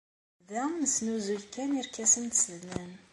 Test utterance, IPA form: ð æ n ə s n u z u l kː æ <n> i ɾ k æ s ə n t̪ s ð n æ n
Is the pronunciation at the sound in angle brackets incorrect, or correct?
correct